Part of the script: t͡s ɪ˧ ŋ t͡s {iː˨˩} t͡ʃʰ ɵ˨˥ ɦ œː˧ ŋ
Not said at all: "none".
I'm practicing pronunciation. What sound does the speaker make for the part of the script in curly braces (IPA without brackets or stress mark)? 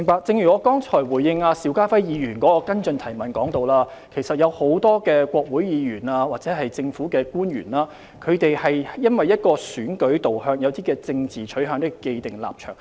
iː˨˩